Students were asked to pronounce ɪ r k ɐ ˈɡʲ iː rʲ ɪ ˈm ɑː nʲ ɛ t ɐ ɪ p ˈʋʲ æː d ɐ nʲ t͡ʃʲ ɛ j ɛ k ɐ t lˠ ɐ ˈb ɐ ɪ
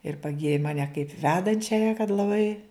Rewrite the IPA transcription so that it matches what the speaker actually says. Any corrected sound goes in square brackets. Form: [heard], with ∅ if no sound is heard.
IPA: ɪ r [p] ɐ ˈɡʲ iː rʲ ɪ ˈm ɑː nʲ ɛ [k] ɐ ɪ p ˈʋʲ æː d ɐ nʲ t͡ʃʲ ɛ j ɛ k ɐ t lˠ ɐ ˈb ɐ ɪ